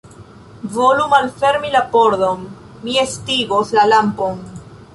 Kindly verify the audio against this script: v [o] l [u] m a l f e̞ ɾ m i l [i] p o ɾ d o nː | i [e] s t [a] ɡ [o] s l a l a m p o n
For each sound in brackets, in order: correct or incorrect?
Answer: correct, correct, incorrect: a, correct, incorrect: i, correct

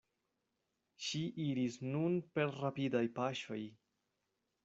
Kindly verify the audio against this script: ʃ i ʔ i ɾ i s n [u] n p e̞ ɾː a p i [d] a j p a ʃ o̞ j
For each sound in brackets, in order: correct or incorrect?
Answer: correct, correct

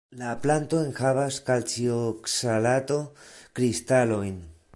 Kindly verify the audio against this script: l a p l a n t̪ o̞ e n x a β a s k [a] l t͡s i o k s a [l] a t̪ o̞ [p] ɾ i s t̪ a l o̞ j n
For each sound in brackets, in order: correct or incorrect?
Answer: correct, correct, incorrect: k

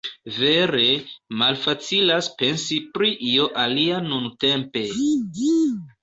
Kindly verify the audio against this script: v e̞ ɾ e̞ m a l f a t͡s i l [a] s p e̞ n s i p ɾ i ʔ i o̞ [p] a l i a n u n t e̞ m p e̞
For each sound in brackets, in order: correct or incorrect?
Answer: correct, incorrect: ʔ

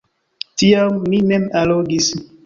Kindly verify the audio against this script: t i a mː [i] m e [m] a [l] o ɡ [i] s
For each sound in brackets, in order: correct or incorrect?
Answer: correct, correct, correct, correct

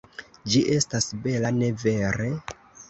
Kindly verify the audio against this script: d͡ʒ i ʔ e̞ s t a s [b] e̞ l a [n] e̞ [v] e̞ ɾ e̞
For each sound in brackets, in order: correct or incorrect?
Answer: correct, correct, correct

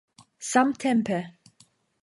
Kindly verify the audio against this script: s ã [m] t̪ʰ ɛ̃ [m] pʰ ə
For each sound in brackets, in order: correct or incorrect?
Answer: correct, correct

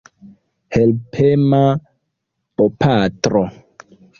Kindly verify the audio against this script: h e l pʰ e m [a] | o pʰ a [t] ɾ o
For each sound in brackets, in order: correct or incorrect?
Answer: correct, correct

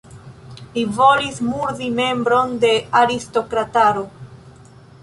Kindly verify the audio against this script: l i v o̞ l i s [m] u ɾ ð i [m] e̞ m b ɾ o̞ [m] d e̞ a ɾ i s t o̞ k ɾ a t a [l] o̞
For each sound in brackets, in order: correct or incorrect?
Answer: correct, correct, incorrect: n, incorrect: ɾ

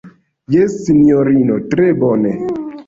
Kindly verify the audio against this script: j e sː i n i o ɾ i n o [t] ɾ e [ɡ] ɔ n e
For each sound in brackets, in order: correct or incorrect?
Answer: correct, incorrect: b

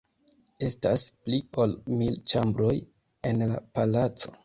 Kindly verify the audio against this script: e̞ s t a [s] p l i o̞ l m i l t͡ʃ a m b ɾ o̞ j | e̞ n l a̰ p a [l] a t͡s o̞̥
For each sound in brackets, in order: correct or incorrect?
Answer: correct, correct

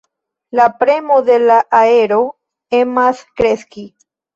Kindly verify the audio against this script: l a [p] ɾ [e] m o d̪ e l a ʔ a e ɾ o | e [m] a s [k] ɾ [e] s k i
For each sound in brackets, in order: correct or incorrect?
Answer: correct, correct, correct, correct, correct

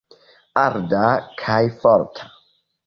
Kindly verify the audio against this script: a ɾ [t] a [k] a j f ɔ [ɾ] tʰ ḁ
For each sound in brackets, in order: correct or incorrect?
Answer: incorrect: d, incorrect: kʰ, correct

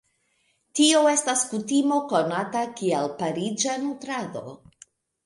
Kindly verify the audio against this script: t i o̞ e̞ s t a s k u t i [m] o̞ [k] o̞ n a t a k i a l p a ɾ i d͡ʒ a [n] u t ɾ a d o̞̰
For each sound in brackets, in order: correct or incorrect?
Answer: correct, correct, correct

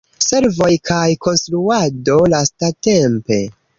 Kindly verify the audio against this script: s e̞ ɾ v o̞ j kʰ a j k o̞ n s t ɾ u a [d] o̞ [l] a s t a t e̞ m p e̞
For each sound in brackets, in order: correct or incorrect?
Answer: correct, correct

